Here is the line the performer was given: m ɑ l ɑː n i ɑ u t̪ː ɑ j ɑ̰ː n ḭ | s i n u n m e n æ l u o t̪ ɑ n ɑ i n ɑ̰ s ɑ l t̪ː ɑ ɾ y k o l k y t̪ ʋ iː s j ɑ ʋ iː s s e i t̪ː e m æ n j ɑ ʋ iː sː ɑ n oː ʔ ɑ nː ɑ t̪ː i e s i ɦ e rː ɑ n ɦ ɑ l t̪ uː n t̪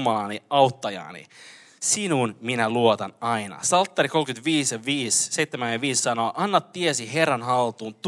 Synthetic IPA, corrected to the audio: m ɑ l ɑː n i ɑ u t̪ː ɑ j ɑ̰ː n ḭ | s i n u n m i n æ l u o t̪ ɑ n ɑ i n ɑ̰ s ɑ l t̪ː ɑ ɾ i k o l k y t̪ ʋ iː s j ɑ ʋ iː s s e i t̪ː e m æ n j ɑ ʋ iː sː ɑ n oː ʔ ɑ nː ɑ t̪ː i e s i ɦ e rː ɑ n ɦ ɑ l t̪ uː n t̪